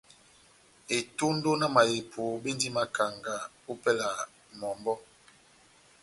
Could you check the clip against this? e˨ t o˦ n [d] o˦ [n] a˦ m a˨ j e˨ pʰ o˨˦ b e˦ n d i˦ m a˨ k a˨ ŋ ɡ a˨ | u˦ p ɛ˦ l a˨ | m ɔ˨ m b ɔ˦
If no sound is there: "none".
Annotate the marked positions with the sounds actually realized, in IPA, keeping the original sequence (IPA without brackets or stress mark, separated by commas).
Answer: d, n